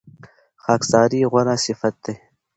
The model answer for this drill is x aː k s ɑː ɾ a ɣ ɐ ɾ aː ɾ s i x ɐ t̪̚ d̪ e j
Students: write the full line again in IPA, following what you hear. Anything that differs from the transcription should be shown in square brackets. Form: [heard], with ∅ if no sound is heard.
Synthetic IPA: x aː k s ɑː ɾ [i] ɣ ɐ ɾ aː [∅] s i [f] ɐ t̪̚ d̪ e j

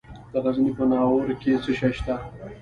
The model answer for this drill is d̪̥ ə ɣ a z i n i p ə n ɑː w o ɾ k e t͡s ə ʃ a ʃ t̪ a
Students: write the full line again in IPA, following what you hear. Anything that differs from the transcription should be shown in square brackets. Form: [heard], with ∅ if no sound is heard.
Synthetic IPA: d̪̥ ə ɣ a z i n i p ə n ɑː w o ɾ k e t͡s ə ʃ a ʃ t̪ a

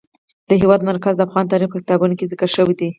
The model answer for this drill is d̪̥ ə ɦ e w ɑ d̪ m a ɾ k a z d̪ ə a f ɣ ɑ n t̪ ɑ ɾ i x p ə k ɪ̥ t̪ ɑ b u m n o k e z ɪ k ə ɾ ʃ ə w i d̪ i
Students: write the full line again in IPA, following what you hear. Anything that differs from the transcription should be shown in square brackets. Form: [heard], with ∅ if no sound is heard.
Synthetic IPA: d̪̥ ə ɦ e w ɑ d̪ m a ɾ k a z d̪ ə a f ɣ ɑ n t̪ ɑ ɾ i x p ə k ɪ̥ t̪ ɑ b u [∅] n o k e z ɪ k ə ɾ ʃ ə w i d̪ i

